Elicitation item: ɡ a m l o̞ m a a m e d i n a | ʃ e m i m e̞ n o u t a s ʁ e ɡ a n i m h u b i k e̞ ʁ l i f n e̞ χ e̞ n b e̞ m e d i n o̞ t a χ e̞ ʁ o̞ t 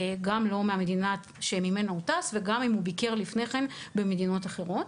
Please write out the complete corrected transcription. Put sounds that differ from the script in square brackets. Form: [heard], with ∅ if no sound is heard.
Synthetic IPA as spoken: ɡ a m l o̞ m [e] a m e d i n a | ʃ e m i m e̞ n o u t a s [v] e ɡ a [m] i m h u b i k e̞ ʁ l i f n e̞ χ e̞ n b e̞ m e d i n o̞ t a χ e̞ ʁ o̞ t